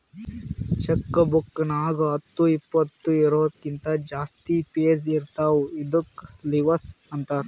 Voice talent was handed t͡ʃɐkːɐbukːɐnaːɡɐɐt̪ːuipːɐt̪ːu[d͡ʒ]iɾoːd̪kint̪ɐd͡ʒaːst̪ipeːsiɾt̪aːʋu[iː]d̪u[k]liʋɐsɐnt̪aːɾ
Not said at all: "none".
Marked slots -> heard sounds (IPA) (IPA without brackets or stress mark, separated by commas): none, i, k